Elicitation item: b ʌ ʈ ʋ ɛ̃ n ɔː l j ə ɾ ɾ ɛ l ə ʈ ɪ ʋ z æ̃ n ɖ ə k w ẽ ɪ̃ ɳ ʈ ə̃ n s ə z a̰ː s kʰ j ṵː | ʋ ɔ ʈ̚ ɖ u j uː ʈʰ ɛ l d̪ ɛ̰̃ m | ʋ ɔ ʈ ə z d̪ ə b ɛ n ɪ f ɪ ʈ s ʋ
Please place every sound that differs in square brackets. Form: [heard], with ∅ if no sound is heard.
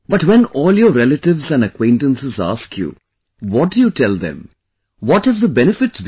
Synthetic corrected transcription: b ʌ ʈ ʋ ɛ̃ n ɔː l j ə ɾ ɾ ɛ l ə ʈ ɪ ʋ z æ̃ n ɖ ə k w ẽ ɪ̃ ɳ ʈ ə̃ n s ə z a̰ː s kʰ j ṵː | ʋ ɔ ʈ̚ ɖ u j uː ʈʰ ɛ l d̪ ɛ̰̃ m | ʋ ɔ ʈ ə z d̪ ə b ɛ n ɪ f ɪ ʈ s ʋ